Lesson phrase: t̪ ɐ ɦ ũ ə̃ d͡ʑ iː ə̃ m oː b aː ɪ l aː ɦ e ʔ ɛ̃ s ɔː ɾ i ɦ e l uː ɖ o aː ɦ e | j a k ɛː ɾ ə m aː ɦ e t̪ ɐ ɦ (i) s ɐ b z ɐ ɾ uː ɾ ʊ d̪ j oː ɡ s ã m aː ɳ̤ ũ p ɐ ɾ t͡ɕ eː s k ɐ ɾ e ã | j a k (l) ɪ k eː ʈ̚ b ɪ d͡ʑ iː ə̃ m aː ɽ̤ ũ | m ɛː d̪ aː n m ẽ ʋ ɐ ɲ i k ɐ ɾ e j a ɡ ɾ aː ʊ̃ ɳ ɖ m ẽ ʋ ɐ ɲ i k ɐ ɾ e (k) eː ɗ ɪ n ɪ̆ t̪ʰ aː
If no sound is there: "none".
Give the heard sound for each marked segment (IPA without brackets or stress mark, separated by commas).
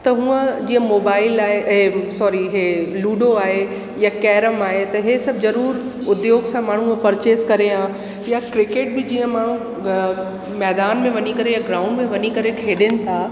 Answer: e, ɾ, kʰ